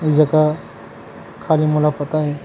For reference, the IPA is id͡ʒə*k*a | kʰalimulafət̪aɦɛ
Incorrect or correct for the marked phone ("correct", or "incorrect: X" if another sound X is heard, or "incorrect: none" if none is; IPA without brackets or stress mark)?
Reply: correct